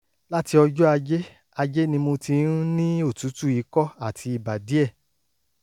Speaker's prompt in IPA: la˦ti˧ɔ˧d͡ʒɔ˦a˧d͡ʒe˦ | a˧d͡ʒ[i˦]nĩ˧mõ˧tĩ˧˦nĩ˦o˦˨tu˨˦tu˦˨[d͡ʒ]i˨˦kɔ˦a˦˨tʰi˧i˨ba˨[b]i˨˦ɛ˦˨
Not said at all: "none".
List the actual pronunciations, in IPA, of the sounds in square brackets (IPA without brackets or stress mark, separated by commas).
e˦, none, d